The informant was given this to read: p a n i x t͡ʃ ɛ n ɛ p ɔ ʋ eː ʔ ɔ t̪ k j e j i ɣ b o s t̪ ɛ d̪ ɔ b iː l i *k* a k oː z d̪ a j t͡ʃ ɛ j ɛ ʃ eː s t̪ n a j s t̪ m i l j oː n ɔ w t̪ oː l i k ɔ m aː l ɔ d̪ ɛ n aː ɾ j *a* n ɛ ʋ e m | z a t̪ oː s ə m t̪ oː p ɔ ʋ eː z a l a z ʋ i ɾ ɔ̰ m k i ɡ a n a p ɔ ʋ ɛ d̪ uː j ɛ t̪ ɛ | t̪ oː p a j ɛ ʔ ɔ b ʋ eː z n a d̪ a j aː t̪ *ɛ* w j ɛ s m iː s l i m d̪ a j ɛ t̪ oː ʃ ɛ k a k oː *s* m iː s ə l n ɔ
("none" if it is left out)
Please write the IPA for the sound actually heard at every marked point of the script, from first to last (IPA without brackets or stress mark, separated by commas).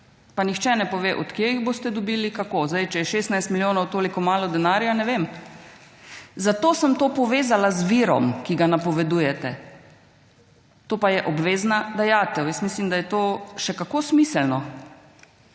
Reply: k, a, ɛ, s